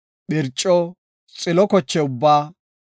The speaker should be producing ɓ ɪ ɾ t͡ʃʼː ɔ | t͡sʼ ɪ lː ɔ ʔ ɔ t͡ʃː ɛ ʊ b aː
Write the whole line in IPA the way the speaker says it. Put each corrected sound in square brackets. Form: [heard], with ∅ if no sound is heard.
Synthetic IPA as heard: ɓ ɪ ɾ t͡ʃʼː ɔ | t͡sʼ ɪ [l] ɔ [k] ɔ t͡ʃː ɛ ʊ [bː] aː